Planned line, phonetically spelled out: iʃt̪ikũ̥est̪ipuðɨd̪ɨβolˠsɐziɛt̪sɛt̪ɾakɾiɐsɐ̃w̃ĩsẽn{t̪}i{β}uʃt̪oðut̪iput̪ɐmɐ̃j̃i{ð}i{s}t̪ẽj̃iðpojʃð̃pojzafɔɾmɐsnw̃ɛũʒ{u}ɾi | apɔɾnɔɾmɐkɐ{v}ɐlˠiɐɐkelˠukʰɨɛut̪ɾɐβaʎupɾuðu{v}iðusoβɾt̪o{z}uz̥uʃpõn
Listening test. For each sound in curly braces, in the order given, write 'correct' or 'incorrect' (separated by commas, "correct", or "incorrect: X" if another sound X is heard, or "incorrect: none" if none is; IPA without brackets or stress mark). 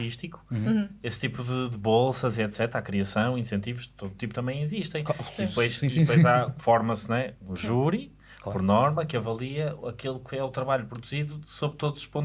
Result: correct, incorrect: v, incorrect: z, incorrect: ʃ, correct, correct, incorrect: z, incorrect: ð